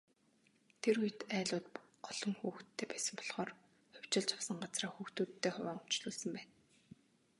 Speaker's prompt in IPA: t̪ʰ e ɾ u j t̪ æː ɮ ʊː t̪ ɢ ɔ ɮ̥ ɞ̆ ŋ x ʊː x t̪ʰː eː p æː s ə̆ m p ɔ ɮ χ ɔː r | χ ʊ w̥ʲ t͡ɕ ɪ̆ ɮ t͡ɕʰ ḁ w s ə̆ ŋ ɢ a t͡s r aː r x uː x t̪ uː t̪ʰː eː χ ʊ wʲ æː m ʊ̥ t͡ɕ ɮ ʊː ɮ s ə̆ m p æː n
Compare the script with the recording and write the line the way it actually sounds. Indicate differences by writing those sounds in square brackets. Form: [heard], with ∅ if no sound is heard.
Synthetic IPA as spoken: t̪ʰ e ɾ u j t̪ æː ɮ ʊː t̪ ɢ ɔ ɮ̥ ɞ̆ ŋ x [uː] x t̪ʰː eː p æː s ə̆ m p ɔ ɮ χ ɔː r | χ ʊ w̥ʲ t͡ɕ ɪ̆ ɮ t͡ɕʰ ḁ w s ə̆ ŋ ɢ a t͡s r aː [∅] x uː x t̪ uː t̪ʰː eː χ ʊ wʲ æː [ŋ] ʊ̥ t͡ɕ ɮ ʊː ɮ s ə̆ m p æː n

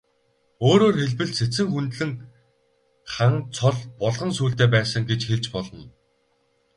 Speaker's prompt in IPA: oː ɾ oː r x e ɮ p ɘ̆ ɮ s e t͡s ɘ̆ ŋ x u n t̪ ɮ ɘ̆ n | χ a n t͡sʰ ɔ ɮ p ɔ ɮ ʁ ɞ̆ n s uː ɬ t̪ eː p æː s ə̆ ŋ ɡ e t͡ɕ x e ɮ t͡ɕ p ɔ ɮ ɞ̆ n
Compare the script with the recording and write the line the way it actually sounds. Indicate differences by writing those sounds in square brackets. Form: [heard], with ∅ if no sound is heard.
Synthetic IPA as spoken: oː ɾ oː r x e ɮ p ɘ̆ ɮ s e t͡s ɘ̆ ŋ x u n t̪ ɮ ɘ̆ [ŋ] | χ a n t͡sʰ ɔ ɮ p ɔ ɮ ʁ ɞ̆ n s uː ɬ t̪ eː p æː s ə̆ ŋ ɡ e t͡ɕ x e ɮ t͡ɕ p ɔ ɮ ɞ̆ n

